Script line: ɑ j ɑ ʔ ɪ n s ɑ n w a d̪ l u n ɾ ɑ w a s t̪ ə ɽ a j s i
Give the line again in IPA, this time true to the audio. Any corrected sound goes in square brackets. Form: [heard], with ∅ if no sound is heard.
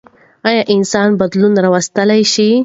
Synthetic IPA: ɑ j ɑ ʔ ɪ n s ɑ n [b] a d̪ l u n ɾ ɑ w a s t̪ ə [l] a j [ʃ] i

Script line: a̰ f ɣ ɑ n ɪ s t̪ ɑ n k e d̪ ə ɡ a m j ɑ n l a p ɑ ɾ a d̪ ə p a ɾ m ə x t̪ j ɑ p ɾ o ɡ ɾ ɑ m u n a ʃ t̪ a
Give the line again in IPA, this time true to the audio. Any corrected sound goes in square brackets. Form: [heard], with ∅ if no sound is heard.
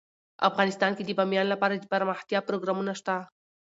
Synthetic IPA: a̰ f ɣ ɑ n ɪ s t̪ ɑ n k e d̪ ə [b] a m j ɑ n l a p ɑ ɾ a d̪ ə p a ɾ m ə x t̪ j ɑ p ɾ o ɡ ɾ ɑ m u n a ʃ t̪ a

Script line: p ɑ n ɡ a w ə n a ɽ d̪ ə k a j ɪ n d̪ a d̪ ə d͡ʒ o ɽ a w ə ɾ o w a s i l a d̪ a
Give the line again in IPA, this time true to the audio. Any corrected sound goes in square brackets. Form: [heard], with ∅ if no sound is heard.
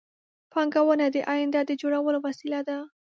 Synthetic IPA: p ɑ [ŋ] ɡ a w ə n a [∅] d̪ ə [ʔ] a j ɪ n d̪ a d̪ ə d͡ʒ o ɽ a w ə [l] o w a s i l a d̪ a

